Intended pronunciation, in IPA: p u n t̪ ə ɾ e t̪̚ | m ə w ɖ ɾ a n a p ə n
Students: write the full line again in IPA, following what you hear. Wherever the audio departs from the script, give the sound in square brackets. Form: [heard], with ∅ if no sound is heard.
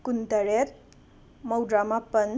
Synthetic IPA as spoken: [k] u n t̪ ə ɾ e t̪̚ | m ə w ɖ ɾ a [m] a p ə n